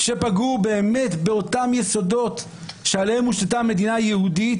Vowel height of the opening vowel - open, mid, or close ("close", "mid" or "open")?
mid